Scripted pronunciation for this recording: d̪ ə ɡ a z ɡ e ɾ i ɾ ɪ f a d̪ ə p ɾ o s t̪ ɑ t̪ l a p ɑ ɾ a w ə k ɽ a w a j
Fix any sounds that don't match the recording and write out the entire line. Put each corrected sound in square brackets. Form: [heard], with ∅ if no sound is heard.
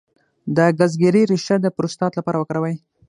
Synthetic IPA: d̪ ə ɡ a z ɡ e ɾ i ɾ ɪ [ʃ] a d̪ ə p ɾ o s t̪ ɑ t̪ l a p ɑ ɾ a w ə k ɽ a w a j